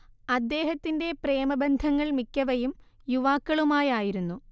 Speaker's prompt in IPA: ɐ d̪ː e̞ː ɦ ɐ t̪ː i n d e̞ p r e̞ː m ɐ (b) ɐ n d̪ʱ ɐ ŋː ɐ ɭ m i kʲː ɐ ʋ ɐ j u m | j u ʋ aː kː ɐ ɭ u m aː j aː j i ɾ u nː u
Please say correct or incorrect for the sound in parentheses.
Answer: correct